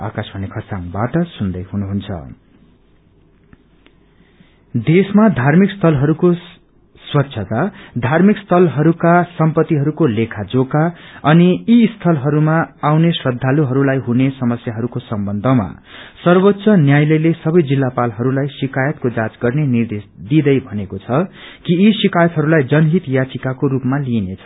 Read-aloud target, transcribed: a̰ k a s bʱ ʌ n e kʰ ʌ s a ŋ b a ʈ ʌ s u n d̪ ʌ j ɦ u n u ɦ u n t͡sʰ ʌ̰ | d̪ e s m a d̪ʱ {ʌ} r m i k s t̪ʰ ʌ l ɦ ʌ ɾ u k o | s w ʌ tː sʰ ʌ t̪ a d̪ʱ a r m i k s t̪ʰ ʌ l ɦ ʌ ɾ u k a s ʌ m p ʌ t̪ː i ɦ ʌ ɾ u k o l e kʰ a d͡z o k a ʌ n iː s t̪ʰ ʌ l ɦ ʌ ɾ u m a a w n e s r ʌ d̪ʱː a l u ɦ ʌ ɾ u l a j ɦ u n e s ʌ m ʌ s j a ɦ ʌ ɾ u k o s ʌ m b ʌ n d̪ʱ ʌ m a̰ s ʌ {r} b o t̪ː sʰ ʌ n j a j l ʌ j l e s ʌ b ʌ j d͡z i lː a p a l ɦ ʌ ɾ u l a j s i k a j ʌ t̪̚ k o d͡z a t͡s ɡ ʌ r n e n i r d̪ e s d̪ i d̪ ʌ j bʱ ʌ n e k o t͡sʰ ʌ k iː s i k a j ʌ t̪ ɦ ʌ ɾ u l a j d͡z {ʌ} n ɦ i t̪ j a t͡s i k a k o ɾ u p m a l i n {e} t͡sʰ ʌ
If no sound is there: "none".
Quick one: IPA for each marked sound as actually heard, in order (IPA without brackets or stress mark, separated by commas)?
a, r, ʌ, e